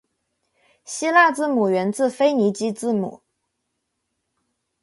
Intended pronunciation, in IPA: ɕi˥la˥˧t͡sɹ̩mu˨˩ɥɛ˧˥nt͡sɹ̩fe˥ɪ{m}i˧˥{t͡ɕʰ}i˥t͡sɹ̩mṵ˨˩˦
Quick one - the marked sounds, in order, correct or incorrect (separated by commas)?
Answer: incorrect, incorrect